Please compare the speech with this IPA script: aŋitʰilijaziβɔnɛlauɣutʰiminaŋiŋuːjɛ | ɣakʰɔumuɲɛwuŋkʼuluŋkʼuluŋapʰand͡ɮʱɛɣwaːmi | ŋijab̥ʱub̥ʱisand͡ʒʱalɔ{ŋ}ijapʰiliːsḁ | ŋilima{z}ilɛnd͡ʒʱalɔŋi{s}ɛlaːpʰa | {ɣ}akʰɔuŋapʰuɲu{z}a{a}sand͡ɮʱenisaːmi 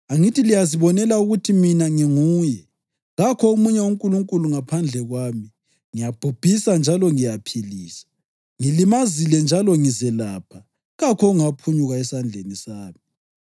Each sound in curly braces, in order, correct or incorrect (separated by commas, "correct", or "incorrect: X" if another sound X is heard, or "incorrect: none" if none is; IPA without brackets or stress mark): correct, correct, incorrect: z, correct, incorrect: ɣ, incorrect: ɛ